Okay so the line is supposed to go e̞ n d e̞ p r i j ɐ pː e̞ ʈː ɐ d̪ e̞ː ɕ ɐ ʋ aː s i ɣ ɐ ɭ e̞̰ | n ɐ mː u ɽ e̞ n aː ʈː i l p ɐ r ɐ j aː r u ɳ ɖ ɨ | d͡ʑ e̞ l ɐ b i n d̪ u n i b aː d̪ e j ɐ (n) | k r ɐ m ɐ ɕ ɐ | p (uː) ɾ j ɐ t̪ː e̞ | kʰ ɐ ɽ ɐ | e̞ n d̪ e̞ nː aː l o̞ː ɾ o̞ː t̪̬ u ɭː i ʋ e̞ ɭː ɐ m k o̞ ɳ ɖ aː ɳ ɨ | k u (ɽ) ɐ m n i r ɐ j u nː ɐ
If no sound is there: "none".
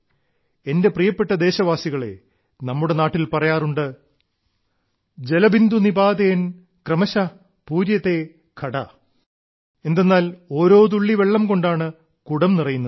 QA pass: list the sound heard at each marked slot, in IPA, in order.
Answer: n, uː, ɽ

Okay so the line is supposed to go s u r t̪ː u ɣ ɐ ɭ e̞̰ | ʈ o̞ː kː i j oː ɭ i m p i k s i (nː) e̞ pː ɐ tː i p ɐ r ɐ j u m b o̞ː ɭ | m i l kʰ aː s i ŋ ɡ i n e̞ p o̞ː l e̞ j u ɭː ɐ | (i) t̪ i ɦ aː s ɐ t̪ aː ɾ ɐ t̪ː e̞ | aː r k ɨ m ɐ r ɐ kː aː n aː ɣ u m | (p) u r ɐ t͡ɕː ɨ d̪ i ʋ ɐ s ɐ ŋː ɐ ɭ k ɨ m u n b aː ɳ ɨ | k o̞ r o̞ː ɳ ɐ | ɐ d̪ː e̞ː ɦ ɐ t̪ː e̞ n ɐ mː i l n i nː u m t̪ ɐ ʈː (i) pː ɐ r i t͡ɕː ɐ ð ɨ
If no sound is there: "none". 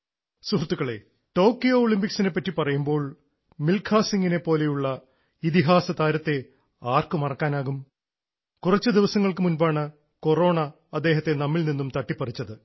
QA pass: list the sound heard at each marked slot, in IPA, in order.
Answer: n, i, k, i

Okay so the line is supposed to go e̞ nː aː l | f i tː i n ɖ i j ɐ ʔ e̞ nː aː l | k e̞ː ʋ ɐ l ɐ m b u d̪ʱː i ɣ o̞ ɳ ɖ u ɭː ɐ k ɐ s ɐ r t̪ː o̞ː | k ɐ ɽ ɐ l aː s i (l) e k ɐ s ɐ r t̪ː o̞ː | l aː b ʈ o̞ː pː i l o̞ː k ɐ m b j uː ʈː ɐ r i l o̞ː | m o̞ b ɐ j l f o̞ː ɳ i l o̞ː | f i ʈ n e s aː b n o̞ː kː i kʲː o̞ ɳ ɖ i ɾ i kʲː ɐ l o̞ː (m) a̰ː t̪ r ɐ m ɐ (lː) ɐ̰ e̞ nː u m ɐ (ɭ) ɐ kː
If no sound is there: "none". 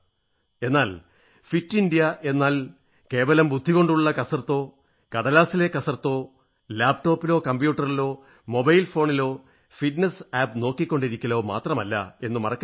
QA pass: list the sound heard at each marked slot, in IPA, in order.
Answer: l, m, lː, r

